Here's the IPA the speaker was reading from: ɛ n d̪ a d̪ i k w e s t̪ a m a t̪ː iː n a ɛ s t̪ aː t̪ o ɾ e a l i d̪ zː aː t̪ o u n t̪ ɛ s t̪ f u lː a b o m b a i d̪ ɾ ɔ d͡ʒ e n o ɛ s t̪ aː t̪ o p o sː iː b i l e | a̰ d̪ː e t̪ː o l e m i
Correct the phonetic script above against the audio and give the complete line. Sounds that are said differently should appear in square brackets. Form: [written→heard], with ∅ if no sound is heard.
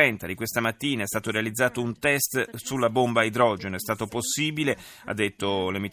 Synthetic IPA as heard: ɛ n [d̪→t̪] a d̪ i k w e s t̪ a m a t̪ː iː n a ɛ s t̪ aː t̪ o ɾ e a l i d̪ zː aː t̪ o u n t̪ ɛ s t̪ [f→s] u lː a b o m b a i d̪ ɾ ɔ d͡ʒ e n o ɛ s t̪ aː t̪ o p o sː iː b i l e | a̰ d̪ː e t̪ː o l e m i